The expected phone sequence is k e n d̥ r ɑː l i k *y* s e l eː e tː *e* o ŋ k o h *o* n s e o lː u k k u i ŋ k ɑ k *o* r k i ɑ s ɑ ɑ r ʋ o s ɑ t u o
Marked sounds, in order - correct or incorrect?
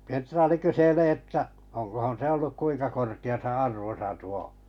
correct, incorrect: æ, correct, correct

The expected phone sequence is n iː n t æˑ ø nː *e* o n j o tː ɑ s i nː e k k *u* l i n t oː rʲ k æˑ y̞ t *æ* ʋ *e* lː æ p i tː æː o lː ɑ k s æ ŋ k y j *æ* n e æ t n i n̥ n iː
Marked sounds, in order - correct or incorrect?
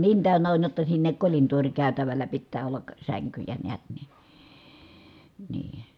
incorrect: æ, incorrect: o, correct, incorrect: æ, correct

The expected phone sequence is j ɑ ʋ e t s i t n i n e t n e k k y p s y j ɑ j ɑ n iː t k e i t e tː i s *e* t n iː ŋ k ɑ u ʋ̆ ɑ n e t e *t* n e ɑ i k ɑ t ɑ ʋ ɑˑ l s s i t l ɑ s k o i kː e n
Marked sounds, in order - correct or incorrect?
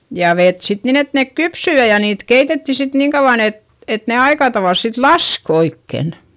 incorrect: i, correct

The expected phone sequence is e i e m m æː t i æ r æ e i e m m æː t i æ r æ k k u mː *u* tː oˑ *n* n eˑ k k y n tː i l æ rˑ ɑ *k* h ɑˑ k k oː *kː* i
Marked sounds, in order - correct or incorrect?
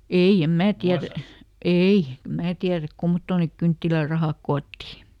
incorrect: o, correct, incorrect: none, incorrect: tː

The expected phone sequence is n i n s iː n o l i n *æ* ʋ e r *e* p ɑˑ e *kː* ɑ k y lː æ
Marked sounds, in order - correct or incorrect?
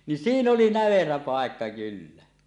correct, incorrect: æ, correct

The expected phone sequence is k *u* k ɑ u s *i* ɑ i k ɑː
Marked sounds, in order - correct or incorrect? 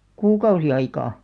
incorrect: uː, correct

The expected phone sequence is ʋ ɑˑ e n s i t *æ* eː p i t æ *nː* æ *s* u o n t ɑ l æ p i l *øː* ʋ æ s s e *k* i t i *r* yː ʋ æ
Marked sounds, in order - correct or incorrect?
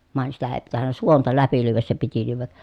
correct, correct, correct, incorrect: yː, incorrect: p, incorrect: l

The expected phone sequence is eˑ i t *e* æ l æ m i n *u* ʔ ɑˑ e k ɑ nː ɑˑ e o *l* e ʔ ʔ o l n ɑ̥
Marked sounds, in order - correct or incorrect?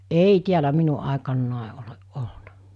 incorrect: i, correct, correct

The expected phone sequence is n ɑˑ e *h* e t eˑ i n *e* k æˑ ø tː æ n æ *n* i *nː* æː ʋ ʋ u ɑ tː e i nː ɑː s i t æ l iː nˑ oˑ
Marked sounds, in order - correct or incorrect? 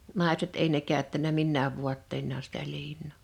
incorrect: s, correct, incorrect: m, correct

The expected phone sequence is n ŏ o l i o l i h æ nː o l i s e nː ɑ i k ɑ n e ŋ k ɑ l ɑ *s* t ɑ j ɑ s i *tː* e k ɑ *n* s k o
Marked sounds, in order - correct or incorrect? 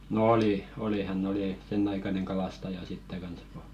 correct, correct, correct

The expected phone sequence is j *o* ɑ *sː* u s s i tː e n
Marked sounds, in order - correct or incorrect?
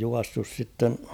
incorrect: u, correct

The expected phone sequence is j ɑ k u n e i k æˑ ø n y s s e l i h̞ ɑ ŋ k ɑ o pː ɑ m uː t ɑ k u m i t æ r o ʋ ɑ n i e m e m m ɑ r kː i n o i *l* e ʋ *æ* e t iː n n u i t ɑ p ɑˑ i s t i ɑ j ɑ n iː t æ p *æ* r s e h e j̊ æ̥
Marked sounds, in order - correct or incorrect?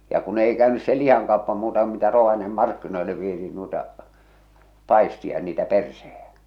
incorrect: lː, incorrect: i, incorrect: e

